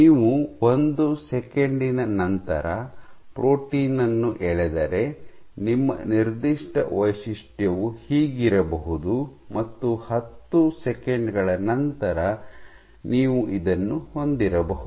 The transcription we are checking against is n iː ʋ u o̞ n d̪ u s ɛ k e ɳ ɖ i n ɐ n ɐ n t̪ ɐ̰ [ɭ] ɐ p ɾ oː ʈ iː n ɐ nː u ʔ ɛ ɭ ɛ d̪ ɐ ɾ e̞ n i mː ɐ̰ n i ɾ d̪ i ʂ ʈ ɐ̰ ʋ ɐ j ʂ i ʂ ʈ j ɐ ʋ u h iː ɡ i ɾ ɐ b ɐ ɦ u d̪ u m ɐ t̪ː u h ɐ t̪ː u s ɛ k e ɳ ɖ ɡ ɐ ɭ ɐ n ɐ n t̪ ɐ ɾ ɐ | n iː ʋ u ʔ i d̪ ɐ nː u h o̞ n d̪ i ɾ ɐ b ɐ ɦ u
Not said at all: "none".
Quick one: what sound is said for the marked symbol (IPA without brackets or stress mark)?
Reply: ɾ